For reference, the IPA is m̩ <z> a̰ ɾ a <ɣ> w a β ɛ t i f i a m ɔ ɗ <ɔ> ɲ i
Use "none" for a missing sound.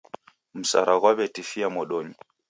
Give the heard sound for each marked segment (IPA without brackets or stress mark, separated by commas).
s, ɣ, ɔ